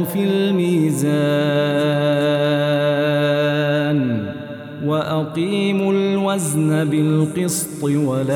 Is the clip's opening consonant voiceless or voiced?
voiceless